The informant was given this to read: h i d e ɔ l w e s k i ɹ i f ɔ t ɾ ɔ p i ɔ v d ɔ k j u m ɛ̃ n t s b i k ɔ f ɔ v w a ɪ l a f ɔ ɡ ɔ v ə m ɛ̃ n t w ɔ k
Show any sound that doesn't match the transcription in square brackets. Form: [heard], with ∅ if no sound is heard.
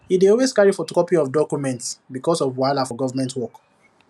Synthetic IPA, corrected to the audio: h i d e ɔ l w e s k [a] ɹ i f ɔ t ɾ ɔ p i ɔ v d ɔ k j u m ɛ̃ n t s b i k ɔ [s] ɔ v w a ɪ l a f ɔ ɡ ɔ v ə m ɛ̃ n t w ɔ k